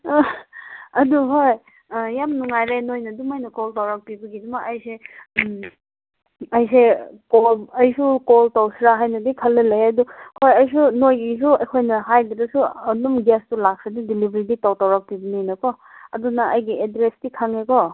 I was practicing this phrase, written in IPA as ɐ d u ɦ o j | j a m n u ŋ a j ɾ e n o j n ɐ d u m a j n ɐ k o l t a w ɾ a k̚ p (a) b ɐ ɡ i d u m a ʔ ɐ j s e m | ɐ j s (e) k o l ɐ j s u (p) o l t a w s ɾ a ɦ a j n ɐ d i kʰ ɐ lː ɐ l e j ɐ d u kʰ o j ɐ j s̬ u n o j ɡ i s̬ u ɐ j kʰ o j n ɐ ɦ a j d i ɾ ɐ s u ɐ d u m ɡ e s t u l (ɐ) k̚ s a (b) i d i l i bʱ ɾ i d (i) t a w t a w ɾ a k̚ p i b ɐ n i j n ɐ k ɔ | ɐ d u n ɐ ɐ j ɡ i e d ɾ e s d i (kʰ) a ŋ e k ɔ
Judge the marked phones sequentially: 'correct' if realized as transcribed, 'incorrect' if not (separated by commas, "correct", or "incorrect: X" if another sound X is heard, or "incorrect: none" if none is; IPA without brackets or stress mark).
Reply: incorrect: i, correct, incorrect: k, incorrect: a, incorrect: d, correct, correct